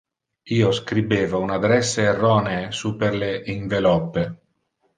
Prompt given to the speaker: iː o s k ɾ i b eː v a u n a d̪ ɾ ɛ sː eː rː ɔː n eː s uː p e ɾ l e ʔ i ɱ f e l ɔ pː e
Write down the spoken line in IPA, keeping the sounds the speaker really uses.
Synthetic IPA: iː o s k ɾ i b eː v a u n a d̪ ɾ ɛ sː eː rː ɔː n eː s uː p e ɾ l e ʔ i ɱ v e l ɔ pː e